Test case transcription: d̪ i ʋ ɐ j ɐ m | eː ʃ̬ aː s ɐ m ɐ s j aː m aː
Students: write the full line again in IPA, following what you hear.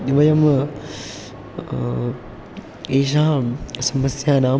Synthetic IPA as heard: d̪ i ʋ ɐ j ɐ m | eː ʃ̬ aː s ɐ m ɐ s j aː n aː

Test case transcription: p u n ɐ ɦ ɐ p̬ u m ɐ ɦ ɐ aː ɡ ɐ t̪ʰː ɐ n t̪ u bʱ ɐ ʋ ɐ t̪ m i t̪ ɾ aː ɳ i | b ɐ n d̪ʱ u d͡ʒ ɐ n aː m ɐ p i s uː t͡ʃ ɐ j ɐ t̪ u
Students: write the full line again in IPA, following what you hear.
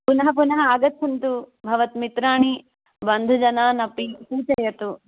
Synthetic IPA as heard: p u n ɐ ɦ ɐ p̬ u n ɐ ɦ ɐ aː ɡ ɐ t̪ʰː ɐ n t̪ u bʱ ɐ ʋ ɐ t̪ m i t̪ ɾ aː ɳ i | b ɐ n d̪ʱ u d͡ʒ ɐ n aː n ɐ p i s uː t͡ʃ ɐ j ɐ t̪ u

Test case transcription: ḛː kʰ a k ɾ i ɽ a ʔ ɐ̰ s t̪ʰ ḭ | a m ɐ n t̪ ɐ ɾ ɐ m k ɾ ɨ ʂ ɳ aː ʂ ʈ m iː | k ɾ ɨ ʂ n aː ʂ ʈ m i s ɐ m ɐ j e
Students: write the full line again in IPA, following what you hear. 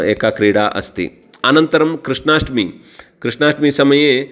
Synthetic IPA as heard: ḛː k a k ɾ i ɽ a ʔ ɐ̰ s t̪ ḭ | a n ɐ n t̪ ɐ ɾ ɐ m k ɾ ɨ ʂ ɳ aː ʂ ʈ m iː | k ɾ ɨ ʂ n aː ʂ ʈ m i s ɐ m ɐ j e

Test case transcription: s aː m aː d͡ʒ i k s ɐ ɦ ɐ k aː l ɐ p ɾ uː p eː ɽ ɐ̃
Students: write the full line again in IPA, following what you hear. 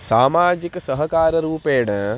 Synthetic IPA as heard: s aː m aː d͡ʒ i k s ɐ ɦ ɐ k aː ɾ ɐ ɾ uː p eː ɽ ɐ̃

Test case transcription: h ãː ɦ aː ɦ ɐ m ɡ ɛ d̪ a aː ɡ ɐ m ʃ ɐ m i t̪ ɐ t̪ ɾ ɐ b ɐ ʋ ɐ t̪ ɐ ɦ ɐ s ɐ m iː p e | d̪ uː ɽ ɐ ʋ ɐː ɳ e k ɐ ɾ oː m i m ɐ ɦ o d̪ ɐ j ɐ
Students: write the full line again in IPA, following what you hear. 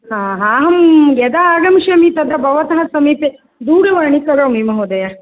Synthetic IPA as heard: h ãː ɦ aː ɦ ɐ m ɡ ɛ d̪ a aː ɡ ɐ m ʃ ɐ m i t̪ ɐ d̪ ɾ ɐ b ɐ ʋ ɐ t̪ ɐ ɦ ɐ s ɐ m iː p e | d̪ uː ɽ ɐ ʋ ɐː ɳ i k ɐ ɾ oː m i m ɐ ɦ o d̪ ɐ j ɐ

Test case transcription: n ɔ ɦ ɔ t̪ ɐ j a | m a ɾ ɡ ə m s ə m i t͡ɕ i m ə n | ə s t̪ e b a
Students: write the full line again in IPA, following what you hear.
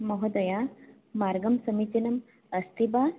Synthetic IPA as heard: m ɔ ɦ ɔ d̪ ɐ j a | m a ɾ ɡ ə m s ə m i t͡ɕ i n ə m | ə s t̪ i b a

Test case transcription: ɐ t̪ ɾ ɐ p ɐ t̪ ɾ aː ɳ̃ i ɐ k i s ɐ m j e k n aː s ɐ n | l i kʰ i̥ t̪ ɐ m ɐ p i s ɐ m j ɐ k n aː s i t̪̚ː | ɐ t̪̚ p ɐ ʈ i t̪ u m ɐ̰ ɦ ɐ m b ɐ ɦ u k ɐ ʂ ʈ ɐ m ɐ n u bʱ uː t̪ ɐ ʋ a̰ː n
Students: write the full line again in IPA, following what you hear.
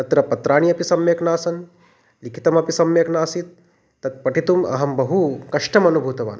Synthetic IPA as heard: ɐ t̪ ɾ ɐ p ɐ t̪ ɾ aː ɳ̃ i ɐ p i s ɐ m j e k n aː s ɐ n | l i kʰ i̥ t̪ ɐ m ɐ p i s ɐ m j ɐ k n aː s i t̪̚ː | ɐ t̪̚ p ɐ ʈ i t̪ u m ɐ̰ ɦ ɐ m b ɐ ɦ u k ɐ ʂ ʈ ɐ m ɐ n u bʱ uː t̪ ɐ ʋ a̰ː n

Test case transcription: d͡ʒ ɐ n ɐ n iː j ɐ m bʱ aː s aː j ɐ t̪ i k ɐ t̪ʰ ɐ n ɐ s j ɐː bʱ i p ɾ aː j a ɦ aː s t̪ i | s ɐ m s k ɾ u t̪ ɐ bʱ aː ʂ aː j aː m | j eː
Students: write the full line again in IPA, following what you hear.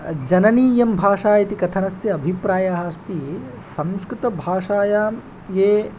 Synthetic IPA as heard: d͡ʒ ɐ n ɐ n iː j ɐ m bʱ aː ʂ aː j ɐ t̪ i k ɐ t̪ʰ ɐ n ɐ s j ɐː bʱ i p ɾ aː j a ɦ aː s t̪ i | s ɐ m s k ɾ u t̪ ɐ bʱ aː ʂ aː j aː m | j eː

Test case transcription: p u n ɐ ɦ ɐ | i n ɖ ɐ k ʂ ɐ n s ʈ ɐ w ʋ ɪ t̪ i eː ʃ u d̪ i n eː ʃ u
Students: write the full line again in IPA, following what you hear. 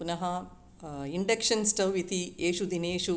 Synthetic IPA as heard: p u n ɐ ɦ ɐ | i ɳ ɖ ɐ k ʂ ɐ n s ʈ ɐ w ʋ i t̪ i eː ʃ u d̪ i n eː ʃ u

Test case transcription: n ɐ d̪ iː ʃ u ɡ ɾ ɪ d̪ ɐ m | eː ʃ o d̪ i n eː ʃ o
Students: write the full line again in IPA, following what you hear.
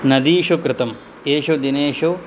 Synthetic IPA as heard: n ɐ d̪ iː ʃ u k ɾ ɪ t̪ ɐ m | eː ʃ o d̪ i n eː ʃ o

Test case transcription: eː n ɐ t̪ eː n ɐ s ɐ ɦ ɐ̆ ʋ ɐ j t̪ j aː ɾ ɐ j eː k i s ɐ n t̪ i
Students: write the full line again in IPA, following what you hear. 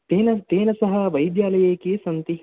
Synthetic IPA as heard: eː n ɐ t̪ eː n ɐ s ɐ ɦ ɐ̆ ʋ ɐ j d̪ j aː l ɐ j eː k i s ɐ n t̪ i

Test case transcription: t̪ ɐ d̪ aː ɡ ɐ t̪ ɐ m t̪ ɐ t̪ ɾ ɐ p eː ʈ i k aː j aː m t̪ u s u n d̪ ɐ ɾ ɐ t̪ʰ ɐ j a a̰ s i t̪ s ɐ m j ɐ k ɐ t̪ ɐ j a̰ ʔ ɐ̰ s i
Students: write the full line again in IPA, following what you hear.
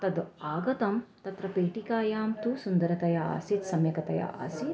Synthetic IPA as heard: t̪ ɐ d̪ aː ɡ ɐ t̪ ɐ m t̪ ɐ t̪ ɾ ɐ p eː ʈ i k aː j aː m t̪ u s u n d̪ ɐ ɾ ɐ t̪ ɐ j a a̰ s i t̪ s ɐ m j ɐ k ɐ t̪ ɐ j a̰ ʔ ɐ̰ s i

